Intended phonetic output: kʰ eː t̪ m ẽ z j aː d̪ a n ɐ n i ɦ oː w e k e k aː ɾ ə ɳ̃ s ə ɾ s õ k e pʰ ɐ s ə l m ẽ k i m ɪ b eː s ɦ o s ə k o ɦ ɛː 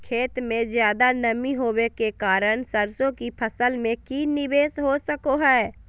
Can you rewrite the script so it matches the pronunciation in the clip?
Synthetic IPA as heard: kʰ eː t̪ m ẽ z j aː d̪ a n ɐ m i ɦ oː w e k e k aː ɾ ə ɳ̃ s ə ɾ s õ k i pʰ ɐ s ə l m ẽ k i n ɪ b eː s ɦ o s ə k o ɦ ɛː